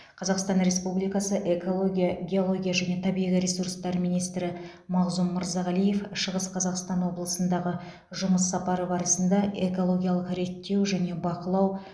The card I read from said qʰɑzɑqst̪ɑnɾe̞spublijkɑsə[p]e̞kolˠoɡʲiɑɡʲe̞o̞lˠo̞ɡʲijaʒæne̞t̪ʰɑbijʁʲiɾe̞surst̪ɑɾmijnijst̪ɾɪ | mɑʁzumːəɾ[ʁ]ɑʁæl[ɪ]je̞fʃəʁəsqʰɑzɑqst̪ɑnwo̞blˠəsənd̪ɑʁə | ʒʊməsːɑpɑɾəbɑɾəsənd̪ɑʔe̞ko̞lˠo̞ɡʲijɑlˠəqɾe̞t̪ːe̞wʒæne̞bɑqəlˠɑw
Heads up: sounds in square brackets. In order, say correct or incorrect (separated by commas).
incorrect, incorrect, incorrect